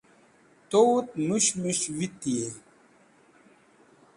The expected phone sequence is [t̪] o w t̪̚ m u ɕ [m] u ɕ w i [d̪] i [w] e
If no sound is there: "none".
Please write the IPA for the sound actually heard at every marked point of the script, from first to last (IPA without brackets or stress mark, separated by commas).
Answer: t̪, m, t̪, none